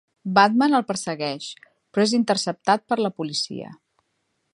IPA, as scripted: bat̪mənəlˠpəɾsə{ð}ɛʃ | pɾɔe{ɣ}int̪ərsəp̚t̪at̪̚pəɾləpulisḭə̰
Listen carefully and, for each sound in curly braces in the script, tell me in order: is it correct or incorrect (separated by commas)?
incorrect, incorrect